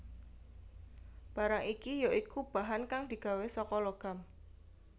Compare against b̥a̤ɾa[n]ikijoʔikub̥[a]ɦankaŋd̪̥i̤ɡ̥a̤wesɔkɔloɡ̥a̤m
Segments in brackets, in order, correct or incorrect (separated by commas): incorrect, correct